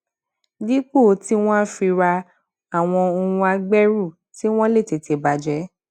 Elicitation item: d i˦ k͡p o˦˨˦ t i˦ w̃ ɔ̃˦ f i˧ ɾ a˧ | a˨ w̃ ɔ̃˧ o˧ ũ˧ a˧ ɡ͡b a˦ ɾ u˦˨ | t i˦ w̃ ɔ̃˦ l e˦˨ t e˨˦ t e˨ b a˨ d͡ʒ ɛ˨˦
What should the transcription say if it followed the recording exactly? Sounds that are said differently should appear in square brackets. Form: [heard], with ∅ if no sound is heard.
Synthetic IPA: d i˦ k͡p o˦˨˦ t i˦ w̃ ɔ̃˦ f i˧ ɾ a˧ | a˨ w̃ ɔ̃˧ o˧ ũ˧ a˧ ɡ͡b [ɛ˦] ɾ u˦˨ | t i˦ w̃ ɔ̃˦ l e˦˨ t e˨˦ t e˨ b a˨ d͡ʒ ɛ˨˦

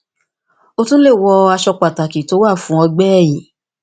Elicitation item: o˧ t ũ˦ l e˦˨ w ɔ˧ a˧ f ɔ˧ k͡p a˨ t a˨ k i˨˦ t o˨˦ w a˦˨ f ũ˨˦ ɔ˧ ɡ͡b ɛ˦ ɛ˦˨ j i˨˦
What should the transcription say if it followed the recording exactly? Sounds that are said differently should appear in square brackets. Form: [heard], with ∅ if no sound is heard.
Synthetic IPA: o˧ t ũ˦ l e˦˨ w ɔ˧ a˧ [ʃ] ɔ˧ k͡p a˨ t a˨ k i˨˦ t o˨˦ w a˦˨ f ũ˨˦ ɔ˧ ɡ͡b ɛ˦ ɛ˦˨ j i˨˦

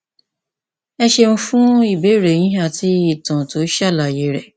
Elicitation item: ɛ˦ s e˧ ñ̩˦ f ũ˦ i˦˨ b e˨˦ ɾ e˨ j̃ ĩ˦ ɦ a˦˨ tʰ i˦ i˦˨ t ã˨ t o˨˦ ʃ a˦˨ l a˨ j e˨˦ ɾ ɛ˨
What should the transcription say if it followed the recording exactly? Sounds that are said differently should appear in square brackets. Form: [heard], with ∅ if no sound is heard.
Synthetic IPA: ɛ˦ [ʃ] e˧ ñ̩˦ f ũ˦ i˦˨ b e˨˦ ɾ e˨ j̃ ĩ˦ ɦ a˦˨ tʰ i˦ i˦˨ t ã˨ t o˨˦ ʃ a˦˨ l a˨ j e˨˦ ɾ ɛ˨

